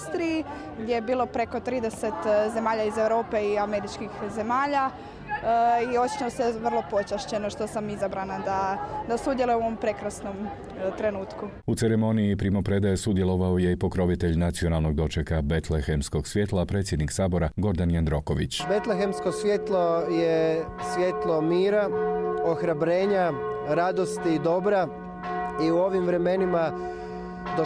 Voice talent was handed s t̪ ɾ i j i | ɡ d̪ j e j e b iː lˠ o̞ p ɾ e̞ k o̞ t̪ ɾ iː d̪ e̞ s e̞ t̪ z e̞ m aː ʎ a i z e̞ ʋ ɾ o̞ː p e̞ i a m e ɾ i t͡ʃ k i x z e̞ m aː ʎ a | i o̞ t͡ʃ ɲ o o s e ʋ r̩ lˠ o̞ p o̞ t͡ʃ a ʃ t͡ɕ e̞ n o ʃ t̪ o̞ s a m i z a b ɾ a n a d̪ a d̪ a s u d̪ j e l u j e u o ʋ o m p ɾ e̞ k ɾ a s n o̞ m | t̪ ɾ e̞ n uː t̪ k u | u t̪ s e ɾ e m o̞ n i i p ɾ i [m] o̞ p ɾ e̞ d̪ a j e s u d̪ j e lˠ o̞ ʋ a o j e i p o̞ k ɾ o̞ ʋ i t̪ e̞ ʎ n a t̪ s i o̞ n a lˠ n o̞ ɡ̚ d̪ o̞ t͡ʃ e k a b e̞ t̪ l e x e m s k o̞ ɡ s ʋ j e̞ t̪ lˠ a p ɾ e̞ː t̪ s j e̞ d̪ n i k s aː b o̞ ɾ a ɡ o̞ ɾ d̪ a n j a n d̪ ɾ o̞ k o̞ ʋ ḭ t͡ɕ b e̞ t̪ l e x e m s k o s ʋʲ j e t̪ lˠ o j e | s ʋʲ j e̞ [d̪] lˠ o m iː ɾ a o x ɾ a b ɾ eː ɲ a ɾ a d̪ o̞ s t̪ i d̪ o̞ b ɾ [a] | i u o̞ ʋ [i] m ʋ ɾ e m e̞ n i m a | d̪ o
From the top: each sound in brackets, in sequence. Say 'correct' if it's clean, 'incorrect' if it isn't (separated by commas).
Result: correct, incorrect, correct, correct